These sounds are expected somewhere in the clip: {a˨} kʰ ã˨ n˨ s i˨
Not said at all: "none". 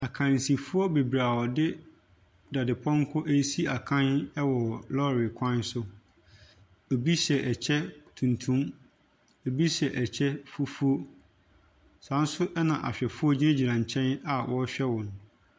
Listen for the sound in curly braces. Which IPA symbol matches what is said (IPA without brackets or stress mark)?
a˨